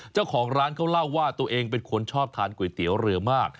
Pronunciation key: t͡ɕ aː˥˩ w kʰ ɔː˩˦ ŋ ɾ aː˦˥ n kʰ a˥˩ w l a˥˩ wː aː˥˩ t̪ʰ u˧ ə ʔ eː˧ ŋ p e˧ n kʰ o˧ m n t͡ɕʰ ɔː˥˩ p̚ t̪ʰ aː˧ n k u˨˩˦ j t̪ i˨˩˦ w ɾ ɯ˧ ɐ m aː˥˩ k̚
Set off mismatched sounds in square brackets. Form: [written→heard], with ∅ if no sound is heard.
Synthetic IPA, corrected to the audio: t͡ɕ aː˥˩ w kʰ ɔː˩˦ ŋ ɾ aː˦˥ n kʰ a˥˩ w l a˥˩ wː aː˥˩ [t̪ʰ→t̪] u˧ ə ʔ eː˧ ŋ p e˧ n kʰ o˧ [m→∅] n t͡ɕʰ ɔː˥˩ p̚ t̪ʰ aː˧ n k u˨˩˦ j t̪ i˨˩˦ w ɾ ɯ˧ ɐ m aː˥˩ k̚